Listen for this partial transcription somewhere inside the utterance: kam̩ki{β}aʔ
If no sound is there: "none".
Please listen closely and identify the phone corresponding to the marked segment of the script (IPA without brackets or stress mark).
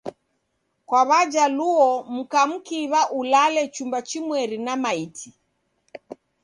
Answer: β